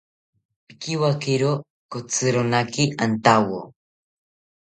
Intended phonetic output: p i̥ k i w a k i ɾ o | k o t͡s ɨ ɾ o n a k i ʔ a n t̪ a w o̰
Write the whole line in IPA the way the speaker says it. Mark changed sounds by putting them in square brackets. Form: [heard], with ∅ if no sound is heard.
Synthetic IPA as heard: p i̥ k i w a k i ɾ o | k o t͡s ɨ ɾ o n a k i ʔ a n t̪ a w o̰